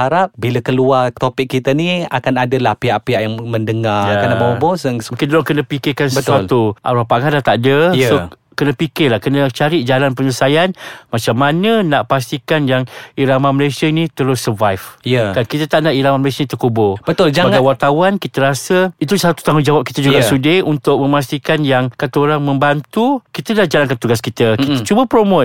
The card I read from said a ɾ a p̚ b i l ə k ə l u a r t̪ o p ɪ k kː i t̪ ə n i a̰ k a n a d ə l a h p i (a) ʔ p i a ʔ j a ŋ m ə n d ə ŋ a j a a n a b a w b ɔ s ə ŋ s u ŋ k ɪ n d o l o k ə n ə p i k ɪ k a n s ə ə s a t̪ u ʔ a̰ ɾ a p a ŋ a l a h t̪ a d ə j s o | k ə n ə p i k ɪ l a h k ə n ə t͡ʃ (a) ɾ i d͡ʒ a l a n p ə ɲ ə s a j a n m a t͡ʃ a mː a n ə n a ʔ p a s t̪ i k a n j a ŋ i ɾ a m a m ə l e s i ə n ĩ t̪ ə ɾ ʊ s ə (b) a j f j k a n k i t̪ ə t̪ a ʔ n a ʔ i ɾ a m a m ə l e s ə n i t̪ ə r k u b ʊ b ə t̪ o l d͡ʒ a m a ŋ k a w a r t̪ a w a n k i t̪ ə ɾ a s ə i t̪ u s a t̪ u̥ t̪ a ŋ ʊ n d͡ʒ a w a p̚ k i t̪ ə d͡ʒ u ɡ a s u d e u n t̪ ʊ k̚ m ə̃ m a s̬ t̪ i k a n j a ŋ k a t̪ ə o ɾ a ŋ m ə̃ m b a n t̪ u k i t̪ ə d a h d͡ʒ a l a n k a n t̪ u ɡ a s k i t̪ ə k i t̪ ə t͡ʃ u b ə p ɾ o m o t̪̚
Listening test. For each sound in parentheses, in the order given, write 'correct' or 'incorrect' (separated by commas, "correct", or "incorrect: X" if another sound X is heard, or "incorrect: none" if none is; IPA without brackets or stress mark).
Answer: correct, correct, incorrect: v